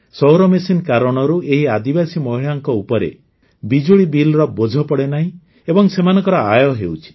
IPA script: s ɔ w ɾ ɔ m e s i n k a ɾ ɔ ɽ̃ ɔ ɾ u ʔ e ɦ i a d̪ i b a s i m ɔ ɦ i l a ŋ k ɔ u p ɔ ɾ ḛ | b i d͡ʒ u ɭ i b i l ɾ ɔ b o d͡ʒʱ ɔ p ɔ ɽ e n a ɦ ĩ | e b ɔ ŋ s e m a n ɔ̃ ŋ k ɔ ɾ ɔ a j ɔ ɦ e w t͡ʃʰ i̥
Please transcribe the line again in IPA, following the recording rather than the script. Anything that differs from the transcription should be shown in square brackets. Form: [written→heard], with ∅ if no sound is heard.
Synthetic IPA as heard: s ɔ w ɾ ɔ m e s i n k a ɾ ɔ ɽ̃ ɔ ɾ u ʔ e ɦ i a d̪ i b a s i m ɔ ɦ i [l→ɭ] a ŋ k ɔ u p ɔ ɾ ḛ | b i d͡ʒ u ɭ i b i l ɾ ɔ b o d͡ʒʱ ɔ p ɔ ɽ e n a ɦ ĩ | e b ɔ ŋ s e m a n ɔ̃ ŋ k ɔ ɾ ɔ a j ɔ ɦ e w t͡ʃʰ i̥